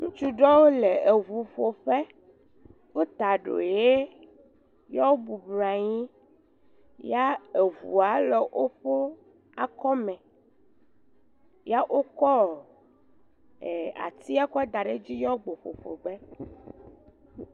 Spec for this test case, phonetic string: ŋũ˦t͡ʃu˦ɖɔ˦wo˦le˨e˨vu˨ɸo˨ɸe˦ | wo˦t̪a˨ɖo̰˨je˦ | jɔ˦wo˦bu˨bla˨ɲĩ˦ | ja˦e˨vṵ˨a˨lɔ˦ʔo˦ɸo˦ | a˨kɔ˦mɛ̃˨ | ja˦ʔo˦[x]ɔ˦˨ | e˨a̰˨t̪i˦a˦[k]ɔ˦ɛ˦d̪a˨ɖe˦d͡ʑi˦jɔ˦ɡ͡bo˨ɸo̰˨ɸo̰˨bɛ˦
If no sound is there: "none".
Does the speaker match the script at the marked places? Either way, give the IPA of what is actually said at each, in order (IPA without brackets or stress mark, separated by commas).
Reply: k, k